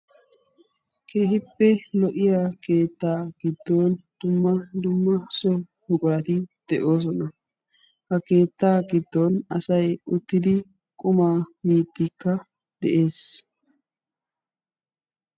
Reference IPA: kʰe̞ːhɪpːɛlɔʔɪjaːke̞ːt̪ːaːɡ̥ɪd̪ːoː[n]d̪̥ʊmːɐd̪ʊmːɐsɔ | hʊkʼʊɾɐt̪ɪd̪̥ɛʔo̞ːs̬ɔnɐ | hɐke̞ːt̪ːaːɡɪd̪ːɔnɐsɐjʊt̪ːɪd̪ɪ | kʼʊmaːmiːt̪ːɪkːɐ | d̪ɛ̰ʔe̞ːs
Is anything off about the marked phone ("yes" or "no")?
no